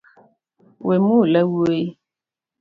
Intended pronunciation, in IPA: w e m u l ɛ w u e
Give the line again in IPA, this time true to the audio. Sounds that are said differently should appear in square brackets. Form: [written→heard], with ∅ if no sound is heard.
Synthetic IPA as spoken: w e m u l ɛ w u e